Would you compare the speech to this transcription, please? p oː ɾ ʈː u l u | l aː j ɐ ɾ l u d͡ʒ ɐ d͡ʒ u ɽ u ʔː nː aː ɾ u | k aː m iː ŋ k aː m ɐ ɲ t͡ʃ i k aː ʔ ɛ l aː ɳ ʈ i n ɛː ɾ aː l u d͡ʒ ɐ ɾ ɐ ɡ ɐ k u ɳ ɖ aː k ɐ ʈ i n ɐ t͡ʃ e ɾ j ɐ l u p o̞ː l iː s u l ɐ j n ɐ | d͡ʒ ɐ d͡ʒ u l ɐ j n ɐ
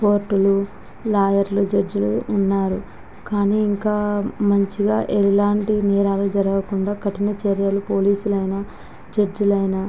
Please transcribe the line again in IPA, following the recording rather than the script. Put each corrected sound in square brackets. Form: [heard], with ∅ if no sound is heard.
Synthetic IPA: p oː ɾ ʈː u l u | l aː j ɐ ɾ l u d͡ʒ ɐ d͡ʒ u [l] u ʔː nː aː ɾ u | k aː [n] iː ŋ k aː m ɐ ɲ t͡ʃ i [ɡ] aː ʔ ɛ l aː ɳ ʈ i n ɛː ɾ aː l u d͡ʒ ɐ ɾ ɐ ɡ ɐ k u ɳ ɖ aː k ɐ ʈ i n ɐ t͡ʃ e ɾ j ɐ l u p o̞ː l iː s u l ɐ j n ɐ | d͡ʒ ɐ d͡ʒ u l ɐ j n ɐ